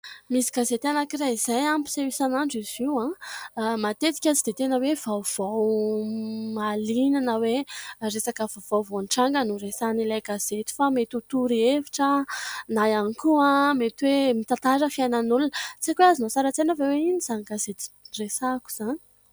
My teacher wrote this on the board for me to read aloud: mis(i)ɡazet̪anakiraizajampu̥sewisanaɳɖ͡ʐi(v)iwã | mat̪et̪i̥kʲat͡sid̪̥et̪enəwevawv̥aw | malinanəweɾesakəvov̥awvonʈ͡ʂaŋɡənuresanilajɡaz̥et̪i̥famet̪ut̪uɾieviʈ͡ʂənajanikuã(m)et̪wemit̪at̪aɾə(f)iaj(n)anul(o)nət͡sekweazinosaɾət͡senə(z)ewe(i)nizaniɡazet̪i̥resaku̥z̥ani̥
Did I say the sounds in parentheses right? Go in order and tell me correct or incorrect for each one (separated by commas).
correct, incorrect, correct, correct, correct, incorrect, incorrect, correct